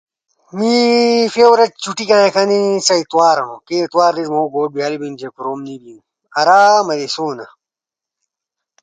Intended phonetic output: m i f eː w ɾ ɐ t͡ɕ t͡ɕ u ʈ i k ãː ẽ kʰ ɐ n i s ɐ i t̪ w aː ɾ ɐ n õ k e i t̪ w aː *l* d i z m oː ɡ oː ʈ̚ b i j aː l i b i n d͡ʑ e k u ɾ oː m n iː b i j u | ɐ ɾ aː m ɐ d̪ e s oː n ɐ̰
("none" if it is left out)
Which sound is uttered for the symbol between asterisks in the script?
ɾ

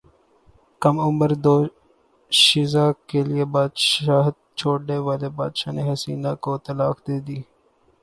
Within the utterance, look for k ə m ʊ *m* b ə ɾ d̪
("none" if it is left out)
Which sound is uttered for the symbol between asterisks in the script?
m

